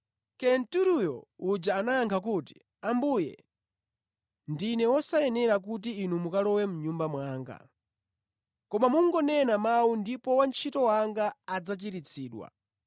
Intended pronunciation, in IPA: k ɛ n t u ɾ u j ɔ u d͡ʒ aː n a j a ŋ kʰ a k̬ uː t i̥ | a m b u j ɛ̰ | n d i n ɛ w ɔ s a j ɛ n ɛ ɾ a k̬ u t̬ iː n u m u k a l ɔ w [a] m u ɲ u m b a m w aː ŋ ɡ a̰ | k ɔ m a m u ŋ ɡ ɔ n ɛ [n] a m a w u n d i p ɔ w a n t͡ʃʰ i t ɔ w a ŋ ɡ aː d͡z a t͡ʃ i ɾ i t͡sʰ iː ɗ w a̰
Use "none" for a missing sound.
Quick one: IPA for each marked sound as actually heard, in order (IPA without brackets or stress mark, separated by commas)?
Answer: ɛ, n